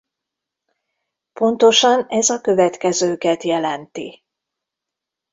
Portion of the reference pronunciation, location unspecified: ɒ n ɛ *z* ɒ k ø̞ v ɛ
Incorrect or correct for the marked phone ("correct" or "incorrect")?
correct